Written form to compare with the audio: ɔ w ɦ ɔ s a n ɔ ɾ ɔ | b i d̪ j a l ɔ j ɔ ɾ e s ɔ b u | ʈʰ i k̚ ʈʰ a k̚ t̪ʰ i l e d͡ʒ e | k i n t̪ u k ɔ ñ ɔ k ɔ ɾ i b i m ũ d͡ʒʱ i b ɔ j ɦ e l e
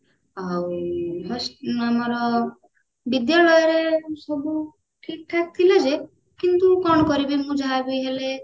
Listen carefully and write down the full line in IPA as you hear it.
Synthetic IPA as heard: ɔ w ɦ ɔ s a m ɔ ɾ ɔ | b i d̪ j a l ɔ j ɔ ɾ e s ɔ b u | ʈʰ i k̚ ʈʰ a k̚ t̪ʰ i l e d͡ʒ e | k i n t̪ u k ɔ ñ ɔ k ɔ ɾ i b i m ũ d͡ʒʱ a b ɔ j ɦ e l e

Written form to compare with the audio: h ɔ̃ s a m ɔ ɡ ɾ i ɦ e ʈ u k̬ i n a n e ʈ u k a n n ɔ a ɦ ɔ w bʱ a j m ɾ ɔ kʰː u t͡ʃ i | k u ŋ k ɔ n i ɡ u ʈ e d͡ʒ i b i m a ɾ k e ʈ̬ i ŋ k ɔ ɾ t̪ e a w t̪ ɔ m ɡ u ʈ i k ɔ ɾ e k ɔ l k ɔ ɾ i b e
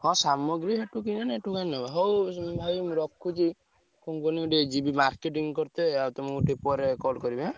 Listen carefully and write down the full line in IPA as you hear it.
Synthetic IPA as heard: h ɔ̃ s a m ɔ ɡ ɾ i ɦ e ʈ u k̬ i n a n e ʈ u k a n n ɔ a ɦ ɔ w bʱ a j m ɾ ɔ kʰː u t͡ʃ i | k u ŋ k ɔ n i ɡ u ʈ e d͡ʒ i b i m a ɾ k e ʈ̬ i ŋ k ɔ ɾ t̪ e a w t̪ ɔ m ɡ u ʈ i p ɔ ɾ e k ɔ l k ɔ ɾ i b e

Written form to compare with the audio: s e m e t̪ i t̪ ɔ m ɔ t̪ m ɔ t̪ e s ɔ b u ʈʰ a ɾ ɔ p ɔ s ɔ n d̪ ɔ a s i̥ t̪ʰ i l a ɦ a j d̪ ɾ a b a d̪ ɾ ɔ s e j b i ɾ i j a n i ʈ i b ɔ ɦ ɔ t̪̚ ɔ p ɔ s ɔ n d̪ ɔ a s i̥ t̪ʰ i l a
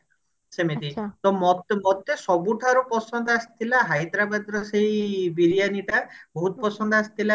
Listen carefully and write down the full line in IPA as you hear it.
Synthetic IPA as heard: s e m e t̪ i t̪ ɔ m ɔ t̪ m ɔ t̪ e s ɔ b u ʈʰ a ɾ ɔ p ɔ s ɔ n d̪ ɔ a s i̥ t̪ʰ i l a ɦ a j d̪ ɾ a b a d̪ ɾ ɔ s e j b i ɾ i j a n i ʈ a b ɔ ɦ u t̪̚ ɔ p ɔ s ɔ n d̪ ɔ a s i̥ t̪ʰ i l a

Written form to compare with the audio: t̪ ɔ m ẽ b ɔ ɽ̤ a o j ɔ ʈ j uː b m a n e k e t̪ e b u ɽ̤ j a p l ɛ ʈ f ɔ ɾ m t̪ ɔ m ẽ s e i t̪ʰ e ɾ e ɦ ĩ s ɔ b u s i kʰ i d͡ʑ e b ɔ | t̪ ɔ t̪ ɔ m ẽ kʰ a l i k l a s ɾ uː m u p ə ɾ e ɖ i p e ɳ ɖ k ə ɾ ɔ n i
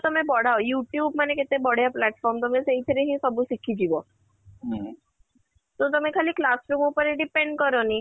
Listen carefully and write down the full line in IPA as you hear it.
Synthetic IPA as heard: t̪ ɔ m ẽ b ɔ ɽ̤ a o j u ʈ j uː b m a n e k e t̪ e b ɔ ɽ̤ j a p l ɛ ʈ f ɔ ɾ m t̪ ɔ m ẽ s e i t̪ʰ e ɾ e ɦ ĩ s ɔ b u s i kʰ i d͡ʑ i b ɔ | t̪ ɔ t̪ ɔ m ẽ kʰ a l i k l a s ɾ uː m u p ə ɾ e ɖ i p e ɳ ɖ k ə ɾ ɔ n i

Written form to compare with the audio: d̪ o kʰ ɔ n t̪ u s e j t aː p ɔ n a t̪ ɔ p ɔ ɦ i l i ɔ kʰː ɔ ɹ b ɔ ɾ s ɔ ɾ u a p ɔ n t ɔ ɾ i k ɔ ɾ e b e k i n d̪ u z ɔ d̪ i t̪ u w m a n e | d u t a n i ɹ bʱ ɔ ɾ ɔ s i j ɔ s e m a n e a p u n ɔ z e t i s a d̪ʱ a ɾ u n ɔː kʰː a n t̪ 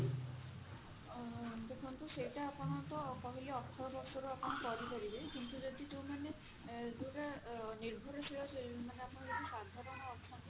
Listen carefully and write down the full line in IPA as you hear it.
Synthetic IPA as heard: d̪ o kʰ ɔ n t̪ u s e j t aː p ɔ n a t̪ ɔ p ɔ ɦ i l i ɔ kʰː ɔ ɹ b ɔ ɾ s ɔ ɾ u a p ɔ n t ɔ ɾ i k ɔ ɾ i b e k i n t̪ u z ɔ d̪ i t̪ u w m a n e | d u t a n i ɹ bʱ ɔ ɾ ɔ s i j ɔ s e m a n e a p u n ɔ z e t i s a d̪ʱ a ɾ ɔ n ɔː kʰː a n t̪

